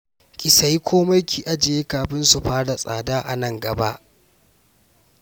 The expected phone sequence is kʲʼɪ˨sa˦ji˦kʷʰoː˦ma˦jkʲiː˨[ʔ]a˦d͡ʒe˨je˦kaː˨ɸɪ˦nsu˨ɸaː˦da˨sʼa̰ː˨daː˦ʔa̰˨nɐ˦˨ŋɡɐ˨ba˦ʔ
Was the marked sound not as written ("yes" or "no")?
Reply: no